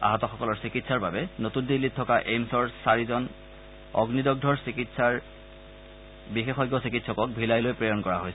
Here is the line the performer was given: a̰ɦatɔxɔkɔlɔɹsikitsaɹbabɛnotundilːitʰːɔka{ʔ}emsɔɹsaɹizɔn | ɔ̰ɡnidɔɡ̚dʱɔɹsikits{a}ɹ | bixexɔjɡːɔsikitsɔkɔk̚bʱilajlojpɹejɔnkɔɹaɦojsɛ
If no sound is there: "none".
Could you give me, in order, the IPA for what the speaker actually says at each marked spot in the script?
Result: ʔ, a

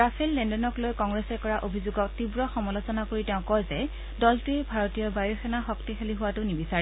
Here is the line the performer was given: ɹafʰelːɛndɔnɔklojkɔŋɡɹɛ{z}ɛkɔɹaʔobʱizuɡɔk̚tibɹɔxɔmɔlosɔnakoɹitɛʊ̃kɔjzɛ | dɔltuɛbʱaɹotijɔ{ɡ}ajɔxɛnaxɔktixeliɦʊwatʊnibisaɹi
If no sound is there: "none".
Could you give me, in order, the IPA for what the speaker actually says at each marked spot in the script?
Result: s, b

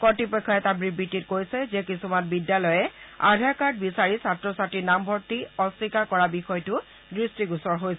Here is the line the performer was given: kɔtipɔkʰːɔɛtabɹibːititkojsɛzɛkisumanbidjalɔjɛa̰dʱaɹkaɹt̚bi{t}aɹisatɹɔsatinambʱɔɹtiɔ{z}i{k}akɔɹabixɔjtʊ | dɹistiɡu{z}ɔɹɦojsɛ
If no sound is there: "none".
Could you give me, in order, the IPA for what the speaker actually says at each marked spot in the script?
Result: s, s, k, s

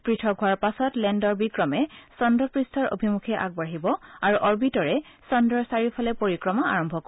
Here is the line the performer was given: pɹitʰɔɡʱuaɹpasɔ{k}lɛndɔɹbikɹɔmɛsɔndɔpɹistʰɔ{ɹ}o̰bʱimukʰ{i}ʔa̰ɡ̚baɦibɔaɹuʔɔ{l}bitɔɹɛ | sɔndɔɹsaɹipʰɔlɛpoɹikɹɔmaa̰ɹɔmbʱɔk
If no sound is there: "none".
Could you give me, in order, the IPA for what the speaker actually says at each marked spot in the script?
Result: t, ɹ, ɛ, ɹ

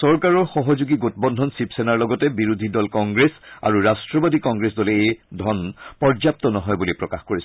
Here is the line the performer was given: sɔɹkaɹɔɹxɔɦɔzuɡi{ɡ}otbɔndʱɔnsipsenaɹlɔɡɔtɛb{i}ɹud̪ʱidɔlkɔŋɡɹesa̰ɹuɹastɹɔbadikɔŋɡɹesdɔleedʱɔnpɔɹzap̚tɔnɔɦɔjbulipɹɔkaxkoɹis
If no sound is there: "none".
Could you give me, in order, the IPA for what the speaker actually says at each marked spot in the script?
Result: ɡ, i

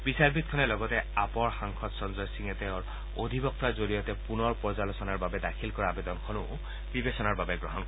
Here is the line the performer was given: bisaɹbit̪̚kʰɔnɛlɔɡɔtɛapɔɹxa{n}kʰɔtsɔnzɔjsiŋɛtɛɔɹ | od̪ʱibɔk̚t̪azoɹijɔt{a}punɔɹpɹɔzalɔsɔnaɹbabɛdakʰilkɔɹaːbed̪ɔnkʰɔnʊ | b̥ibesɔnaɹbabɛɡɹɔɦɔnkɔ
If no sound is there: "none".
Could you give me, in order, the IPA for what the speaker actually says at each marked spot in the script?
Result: ŋ, ɛ

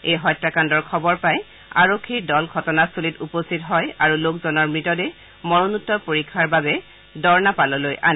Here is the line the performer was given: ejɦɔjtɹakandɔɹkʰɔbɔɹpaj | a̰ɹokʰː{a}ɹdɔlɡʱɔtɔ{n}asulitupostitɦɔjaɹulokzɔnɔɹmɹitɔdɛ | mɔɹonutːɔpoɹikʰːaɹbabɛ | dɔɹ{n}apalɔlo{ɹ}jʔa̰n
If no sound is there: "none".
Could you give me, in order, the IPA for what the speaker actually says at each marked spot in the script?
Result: i, n, n, none

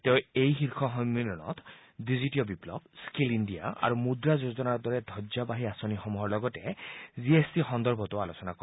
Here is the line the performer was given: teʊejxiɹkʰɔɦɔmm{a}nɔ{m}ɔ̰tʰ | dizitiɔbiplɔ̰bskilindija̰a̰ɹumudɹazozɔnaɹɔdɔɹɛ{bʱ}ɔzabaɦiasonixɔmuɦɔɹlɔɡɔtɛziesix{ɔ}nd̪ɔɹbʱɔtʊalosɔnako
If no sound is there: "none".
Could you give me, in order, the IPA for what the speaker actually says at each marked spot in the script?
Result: i, n, dʱ, ɔ

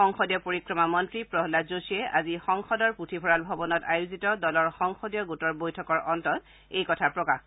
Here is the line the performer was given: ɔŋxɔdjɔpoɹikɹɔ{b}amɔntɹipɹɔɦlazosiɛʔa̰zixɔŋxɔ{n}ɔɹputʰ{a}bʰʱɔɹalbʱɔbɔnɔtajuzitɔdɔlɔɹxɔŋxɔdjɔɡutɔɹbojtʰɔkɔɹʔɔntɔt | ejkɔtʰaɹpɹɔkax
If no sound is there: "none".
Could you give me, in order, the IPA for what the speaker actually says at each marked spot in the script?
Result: m, d, i

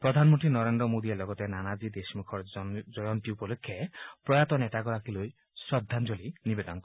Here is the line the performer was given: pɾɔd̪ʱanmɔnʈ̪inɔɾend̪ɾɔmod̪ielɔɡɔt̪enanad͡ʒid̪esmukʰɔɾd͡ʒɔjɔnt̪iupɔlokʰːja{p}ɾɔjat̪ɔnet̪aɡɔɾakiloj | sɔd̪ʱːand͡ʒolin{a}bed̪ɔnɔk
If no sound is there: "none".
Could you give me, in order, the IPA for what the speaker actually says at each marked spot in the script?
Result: p, i

